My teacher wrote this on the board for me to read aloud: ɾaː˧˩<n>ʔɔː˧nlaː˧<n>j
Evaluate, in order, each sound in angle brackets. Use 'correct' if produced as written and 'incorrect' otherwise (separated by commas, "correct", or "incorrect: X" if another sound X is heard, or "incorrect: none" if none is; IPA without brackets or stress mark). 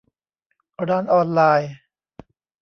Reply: correct, incorrect: none